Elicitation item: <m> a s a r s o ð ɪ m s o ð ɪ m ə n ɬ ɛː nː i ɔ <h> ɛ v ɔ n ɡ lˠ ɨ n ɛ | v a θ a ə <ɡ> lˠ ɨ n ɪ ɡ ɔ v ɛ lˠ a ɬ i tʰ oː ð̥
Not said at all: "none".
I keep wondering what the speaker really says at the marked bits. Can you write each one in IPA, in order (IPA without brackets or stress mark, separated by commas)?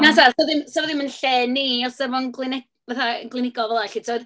n, s, ɡ